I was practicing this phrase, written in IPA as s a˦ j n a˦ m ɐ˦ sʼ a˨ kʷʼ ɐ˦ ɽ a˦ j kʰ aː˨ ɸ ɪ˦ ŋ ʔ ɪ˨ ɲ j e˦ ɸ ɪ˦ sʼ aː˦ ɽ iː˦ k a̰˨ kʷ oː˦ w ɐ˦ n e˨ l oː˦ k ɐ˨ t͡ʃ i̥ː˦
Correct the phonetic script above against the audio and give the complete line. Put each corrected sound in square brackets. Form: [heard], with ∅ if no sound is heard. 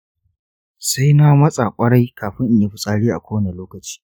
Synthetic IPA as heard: s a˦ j n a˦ m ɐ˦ sʼ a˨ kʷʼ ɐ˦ ɽ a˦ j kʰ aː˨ ɸ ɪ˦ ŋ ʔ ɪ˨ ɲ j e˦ ɸ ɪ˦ sʼ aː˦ ɽ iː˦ [ʔ] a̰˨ kʷ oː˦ w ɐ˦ n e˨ l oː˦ k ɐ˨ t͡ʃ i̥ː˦